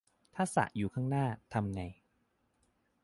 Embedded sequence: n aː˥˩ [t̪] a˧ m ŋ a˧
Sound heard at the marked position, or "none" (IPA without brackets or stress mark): t̪ʰ